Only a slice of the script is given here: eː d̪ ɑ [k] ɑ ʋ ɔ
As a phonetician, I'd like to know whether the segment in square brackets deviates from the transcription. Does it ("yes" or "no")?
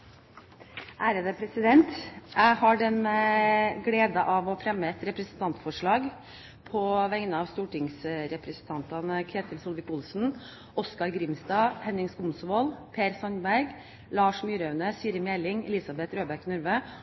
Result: yes